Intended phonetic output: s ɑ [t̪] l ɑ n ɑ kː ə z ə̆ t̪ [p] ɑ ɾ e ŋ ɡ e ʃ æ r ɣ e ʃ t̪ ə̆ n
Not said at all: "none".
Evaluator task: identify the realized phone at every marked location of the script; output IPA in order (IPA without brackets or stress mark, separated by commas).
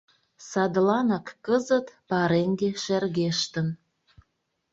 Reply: d̪, p